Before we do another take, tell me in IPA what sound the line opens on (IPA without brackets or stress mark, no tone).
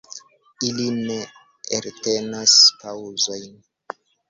i